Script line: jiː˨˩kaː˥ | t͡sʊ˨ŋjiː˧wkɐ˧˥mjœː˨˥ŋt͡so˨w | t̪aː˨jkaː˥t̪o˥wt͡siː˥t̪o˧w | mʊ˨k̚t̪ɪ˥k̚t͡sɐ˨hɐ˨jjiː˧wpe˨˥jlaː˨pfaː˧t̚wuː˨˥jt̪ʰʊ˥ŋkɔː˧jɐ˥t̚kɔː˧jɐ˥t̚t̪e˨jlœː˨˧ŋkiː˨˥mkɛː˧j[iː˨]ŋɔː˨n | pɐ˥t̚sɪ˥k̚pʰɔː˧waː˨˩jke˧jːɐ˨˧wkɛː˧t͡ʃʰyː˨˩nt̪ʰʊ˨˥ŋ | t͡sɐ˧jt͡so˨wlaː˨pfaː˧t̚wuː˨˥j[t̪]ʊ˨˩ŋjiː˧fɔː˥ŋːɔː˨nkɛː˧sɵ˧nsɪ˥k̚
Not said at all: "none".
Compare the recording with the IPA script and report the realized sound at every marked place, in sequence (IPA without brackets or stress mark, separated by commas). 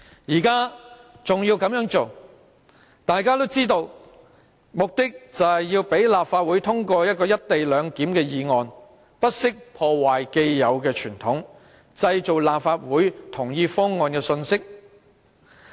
iː˨, t̪ʰ